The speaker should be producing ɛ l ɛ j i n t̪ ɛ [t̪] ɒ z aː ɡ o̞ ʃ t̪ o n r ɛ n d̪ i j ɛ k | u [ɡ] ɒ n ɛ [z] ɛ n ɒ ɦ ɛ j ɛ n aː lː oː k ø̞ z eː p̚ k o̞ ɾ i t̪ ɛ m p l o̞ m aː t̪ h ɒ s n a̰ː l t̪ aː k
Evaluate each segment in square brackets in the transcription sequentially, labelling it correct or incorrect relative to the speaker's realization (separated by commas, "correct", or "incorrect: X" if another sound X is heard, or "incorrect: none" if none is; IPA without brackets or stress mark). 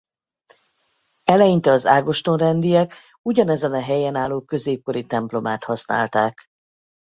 incorrect: none, incorrect: ɟ, correct